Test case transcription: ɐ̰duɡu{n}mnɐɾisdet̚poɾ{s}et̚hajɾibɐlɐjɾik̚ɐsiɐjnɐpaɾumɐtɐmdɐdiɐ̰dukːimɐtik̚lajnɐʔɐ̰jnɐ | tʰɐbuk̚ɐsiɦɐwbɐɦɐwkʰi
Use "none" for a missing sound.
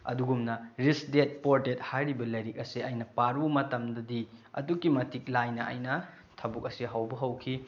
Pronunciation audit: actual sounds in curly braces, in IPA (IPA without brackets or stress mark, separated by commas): none, t